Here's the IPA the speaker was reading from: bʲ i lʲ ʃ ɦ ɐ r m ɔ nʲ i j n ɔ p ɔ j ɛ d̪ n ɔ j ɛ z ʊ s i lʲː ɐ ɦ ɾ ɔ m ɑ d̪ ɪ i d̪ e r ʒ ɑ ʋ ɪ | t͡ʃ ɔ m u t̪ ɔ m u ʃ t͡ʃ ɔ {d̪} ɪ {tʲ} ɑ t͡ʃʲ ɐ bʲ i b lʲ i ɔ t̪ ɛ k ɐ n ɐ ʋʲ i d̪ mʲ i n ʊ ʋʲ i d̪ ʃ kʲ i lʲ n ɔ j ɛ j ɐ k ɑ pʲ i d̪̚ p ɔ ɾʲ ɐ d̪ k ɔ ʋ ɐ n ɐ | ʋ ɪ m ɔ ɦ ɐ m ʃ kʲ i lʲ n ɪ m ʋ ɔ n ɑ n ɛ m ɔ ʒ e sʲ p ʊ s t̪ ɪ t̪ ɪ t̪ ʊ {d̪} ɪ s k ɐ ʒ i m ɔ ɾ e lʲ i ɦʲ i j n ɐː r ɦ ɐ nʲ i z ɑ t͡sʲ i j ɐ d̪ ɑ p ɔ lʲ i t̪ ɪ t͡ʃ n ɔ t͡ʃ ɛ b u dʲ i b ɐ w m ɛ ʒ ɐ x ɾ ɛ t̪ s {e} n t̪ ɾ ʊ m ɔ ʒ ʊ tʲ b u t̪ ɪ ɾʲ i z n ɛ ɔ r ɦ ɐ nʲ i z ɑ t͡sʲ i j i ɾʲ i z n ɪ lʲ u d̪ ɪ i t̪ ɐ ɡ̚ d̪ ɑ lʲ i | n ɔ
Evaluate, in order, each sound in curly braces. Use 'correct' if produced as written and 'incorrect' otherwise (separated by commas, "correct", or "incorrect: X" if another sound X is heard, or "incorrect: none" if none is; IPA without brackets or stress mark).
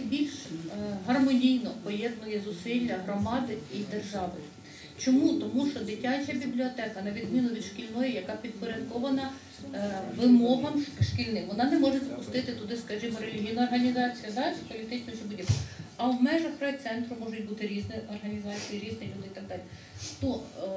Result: correct, correct, correct, incorrect: ɛ